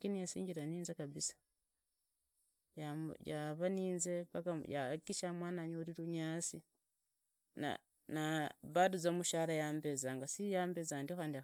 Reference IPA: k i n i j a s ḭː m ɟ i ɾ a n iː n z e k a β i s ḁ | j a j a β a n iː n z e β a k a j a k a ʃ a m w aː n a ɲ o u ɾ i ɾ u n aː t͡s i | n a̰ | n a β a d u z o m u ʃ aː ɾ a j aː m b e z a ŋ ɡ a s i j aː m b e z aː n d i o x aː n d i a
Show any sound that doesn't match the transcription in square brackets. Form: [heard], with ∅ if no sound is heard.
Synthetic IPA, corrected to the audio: k i n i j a s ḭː [ɲ] ɟ i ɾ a n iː n z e k a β i s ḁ | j a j a β a n iː n z e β a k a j a k [i] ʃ a m w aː n a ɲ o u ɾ i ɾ u [ɲ] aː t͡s i | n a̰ | n a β a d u z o m u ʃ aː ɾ a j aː m b e z a ŋ ɡ a s i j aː m b e z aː n d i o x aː n d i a